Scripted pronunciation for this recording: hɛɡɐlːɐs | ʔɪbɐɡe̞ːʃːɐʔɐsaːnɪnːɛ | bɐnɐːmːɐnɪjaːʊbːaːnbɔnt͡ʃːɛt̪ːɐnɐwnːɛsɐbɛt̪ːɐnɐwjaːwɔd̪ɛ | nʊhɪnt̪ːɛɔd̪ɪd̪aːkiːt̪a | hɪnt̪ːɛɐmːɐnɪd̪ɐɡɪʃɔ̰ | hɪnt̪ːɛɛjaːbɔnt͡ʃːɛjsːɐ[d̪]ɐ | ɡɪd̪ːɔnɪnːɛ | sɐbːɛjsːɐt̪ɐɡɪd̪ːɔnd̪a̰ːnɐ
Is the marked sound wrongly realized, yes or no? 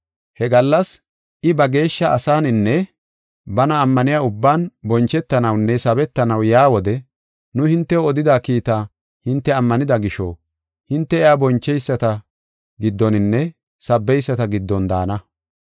yes